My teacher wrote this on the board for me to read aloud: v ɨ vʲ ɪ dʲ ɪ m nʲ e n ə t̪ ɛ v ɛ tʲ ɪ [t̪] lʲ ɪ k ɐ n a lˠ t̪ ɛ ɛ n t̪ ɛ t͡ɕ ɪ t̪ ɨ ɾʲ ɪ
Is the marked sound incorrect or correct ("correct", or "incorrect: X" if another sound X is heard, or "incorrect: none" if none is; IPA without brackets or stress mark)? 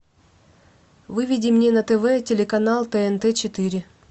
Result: incorrect: none